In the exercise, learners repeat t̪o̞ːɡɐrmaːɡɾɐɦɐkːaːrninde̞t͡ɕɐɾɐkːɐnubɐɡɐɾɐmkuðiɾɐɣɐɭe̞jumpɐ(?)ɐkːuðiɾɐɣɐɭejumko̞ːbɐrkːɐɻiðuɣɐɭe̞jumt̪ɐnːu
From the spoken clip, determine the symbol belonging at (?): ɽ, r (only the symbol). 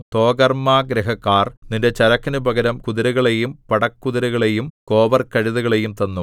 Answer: ɽ